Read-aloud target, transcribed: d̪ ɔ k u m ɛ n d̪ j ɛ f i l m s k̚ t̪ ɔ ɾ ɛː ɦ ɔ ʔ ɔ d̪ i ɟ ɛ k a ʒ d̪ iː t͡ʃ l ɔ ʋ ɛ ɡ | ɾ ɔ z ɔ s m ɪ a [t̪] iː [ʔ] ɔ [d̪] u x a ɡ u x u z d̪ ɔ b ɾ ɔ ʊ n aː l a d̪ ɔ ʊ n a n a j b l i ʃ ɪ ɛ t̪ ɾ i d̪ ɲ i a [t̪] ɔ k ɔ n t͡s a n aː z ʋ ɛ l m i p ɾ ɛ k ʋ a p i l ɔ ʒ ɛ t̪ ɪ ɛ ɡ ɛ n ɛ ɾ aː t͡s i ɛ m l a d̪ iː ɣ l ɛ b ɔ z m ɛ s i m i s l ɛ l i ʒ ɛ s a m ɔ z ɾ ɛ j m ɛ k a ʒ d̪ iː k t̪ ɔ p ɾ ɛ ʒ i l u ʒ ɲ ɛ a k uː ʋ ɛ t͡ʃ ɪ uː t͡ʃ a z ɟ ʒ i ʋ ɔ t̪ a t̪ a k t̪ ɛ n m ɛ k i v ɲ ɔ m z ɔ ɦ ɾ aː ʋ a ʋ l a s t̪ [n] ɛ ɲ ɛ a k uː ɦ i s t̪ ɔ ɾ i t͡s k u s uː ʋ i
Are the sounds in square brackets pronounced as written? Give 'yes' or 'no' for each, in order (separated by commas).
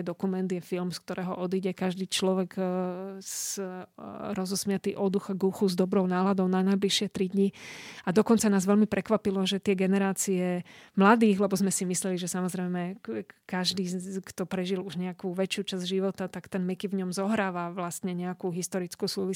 yes, yes, yes, no, no